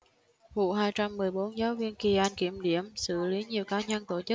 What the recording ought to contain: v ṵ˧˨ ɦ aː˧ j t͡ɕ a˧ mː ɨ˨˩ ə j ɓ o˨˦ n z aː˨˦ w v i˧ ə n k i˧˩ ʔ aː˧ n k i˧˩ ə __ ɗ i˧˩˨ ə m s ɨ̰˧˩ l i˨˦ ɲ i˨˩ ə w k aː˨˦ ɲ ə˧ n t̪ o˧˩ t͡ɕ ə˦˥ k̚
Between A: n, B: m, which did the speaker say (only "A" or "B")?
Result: B